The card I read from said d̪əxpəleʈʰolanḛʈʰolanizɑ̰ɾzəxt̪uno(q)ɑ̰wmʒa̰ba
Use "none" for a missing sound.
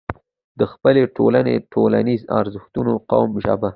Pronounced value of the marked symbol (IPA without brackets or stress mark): q